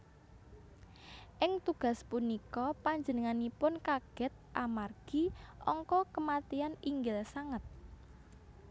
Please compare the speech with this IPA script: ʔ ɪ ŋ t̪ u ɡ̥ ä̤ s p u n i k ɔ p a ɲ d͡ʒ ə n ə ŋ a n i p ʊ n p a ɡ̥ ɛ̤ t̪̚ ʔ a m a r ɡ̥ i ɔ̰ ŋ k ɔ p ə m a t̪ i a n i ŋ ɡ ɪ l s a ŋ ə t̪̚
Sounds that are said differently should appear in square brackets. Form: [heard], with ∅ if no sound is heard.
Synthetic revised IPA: ʔ ɪ ŋ t̪ u ɡ̥ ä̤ s p u n i k ɔ p a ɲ d͡ʒ ə n ə ŋ a n i p ʊ n [k] a ɡ̥ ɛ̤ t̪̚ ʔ a m a r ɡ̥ i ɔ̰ ŋ k ɔ [k] ə m a t̪ i a n i ŋ ɡ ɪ l s a ŋ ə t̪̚